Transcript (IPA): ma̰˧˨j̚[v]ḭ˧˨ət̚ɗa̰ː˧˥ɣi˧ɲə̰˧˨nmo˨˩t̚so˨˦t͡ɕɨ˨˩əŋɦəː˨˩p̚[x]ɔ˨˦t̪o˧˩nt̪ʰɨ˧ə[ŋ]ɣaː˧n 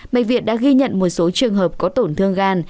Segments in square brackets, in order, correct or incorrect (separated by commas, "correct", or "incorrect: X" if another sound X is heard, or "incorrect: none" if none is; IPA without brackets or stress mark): correct, incorrect: k, correct